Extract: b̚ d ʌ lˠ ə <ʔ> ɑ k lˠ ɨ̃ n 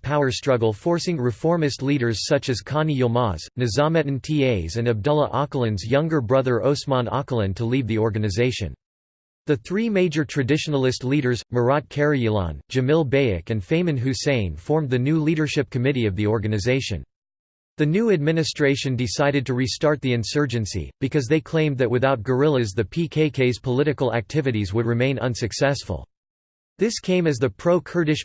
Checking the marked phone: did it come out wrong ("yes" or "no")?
no